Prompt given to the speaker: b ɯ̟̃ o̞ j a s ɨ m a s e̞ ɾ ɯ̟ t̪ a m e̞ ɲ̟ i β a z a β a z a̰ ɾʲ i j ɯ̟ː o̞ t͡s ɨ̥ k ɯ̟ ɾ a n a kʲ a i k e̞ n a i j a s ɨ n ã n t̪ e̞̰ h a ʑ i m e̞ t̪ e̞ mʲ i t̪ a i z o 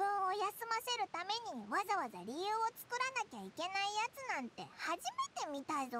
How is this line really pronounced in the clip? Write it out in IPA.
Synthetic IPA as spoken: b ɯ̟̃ o̞ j a s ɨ m a s e̞ ɾ ɯ̟ t̪ a m e̞ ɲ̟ i β a z a β a z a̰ ɾʲ i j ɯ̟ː o̞ t͡s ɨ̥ k ɯ̟ ɾ a n a kʲ a i k e̞ n a i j a t͡s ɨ n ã n t̪ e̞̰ h a ʑ i m e̞ t̪ e̞ mʲ i t̪ a i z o

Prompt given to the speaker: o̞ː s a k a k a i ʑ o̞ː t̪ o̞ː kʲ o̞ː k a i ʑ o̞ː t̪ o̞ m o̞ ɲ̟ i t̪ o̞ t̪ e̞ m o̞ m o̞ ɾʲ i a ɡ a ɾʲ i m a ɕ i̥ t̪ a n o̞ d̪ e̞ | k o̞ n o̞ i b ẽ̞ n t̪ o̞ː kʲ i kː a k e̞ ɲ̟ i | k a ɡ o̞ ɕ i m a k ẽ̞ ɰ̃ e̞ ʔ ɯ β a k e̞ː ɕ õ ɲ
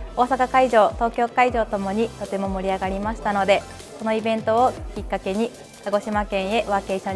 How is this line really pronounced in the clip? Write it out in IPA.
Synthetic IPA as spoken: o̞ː s a k a k a i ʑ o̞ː t̪ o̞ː kʲ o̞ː k a i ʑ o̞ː t̪ o̞ m o̞ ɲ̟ i t̪ o̞ t̪ e̞ m o̞ m o̞ ɾʲ i a ɡ a ɾʲ i m a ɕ i̥ t̪ a n o̞ d̪ e̞ | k o̞ n o̞ i b ẽ̞ n t̪ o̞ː kʲ i kː a k e̞ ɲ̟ i | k a ɡ o̞ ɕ i m a k ẽ̞ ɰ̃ e̞ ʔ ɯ β a k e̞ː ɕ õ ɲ

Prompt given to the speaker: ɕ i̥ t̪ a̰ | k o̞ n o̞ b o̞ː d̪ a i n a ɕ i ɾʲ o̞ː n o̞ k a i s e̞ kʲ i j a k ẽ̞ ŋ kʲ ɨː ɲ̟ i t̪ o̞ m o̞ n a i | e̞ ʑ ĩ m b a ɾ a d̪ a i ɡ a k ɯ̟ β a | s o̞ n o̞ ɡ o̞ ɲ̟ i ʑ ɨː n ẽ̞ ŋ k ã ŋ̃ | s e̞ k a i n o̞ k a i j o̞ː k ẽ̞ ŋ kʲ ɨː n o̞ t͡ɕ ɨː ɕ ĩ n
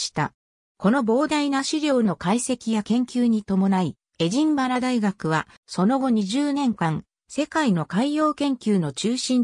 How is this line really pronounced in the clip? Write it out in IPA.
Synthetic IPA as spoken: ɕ i̥ t̪ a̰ | k o̞ n o̞ b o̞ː d̪ a i n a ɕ i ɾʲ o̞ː n o̞ k a i s e̞ kʲ i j a k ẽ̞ ŋ kʲ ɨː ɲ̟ i t̪ o̞ m o̞ n a i | e̞ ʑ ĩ m b a ɾ a d̪ a i ɡ a k ɯ̟ β a | s o̞ n o̞ ɡ o̞ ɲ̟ i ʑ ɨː n ẽ̞ ŋ k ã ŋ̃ | s e̞ k a i n o̞ k a i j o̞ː k ẽ̞ ŋ kʲ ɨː n o̞ t͡ɕ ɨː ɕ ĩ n

